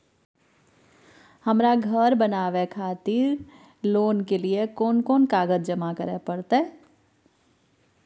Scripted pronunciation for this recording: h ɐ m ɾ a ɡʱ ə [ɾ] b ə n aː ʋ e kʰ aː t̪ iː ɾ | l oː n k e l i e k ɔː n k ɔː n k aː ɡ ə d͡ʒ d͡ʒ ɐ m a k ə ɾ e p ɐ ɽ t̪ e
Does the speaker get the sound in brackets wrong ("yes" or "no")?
no